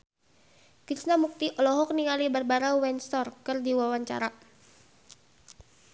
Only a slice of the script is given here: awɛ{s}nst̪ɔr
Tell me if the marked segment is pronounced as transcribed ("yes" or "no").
no